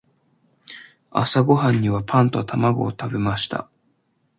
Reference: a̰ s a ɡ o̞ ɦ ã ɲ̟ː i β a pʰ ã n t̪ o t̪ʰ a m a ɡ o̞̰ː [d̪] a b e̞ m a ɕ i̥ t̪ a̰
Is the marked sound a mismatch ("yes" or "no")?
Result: yes